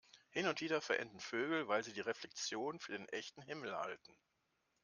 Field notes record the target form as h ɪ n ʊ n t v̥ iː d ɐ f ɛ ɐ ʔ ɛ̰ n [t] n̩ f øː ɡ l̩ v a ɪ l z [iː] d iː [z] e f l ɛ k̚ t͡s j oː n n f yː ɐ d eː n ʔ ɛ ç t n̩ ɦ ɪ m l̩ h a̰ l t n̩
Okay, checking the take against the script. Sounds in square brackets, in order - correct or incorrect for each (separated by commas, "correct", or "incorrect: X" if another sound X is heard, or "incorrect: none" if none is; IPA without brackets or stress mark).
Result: incorrect: d, correct, incorrect: ʁ